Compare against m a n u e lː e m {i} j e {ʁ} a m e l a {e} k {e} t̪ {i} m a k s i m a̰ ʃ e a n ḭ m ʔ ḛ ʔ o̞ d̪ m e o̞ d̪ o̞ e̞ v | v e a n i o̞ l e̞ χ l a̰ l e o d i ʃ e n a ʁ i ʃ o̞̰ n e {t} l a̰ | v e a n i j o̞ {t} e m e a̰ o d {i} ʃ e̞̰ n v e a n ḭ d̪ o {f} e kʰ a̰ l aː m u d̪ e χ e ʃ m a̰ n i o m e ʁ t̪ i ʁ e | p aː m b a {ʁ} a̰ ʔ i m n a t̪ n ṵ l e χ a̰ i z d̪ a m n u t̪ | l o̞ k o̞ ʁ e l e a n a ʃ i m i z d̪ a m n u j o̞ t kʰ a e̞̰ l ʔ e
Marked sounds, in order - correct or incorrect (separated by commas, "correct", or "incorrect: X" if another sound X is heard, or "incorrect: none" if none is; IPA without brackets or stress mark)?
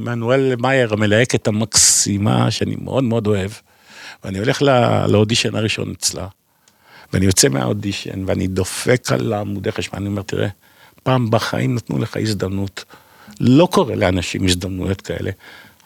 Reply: incorrect: a, correct, correct, correct, incorrect: a, incorrect: t͡s, incorrect: t͡s, correct, correct, incorrect: χ